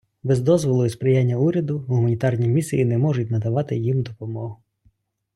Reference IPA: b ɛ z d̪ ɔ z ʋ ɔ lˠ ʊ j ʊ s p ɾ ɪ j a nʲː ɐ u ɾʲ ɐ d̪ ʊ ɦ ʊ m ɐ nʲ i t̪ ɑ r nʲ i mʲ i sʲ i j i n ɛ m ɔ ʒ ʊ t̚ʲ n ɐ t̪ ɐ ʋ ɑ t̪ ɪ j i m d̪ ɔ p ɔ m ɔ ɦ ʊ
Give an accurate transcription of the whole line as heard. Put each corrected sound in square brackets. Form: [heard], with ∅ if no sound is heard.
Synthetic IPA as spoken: b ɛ z d̪ ɔ z ʋ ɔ lˠ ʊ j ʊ s p ɾ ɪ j a nʲː ɐ u ɾʲ ɐ d̪ ʊ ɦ ʊ m ɐ nʲ i t̪ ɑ r nʲ i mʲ i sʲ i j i n ɛ m ɔ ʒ ʊ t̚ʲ n ɐ [d̪] ɐ ʋ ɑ t̪ ɪ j i m d̪ ɔ p ɔ m ɔ ɦ ʊ